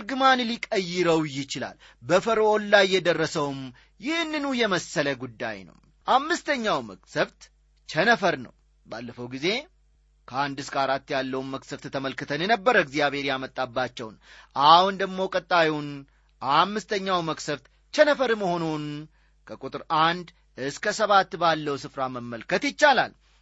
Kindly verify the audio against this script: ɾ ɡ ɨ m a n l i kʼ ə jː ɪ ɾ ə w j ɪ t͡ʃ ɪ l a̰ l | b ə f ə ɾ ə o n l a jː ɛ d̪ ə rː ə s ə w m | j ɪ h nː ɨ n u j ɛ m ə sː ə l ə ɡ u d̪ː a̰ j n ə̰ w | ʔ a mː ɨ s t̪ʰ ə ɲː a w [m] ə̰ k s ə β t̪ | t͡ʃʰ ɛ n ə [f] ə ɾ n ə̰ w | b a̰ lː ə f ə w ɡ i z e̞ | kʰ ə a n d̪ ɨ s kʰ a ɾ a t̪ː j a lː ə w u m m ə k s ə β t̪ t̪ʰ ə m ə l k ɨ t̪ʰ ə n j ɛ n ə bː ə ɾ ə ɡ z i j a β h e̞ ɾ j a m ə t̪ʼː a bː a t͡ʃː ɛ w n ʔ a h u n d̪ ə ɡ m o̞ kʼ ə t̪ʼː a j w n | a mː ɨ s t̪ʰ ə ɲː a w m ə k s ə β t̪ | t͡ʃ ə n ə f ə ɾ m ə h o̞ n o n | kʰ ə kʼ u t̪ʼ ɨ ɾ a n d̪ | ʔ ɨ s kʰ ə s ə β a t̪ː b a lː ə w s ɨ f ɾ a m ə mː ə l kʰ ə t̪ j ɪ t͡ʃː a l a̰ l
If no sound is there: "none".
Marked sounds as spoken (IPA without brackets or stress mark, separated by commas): m, f